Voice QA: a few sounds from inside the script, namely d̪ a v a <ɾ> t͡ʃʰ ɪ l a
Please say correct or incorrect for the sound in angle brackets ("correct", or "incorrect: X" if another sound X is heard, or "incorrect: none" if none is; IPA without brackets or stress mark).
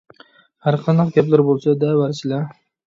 correct